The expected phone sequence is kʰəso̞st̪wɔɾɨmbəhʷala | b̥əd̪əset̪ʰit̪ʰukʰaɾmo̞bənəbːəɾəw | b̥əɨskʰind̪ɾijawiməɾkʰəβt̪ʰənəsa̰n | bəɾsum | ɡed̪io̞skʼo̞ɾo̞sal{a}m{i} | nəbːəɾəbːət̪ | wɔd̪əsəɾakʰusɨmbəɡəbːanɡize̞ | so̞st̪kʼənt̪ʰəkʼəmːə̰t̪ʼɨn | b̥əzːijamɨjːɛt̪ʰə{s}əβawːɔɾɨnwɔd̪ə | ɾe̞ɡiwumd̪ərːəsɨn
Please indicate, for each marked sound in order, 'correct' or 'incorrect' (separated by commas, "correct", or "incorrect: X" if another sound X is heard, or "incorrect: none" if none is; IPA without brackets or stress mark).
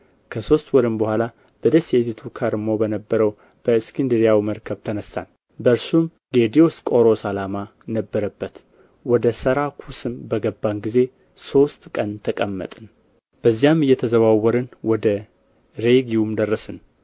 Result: correct, incorrect: a, incorrect: z